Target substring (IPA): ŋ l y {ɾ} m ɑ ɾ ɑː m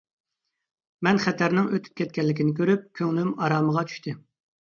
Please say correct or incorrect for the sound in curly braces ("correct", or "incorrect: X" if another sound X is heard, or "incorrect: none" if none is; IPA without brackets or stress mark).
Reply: incorrect: none